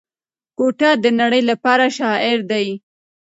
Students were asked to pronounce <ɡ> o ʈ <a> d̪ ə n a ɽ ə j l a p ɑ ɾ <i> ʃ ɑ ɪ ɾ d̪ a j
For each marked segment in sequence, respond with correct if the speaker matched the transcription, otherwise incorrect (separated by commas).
incorrect, correct, incorrect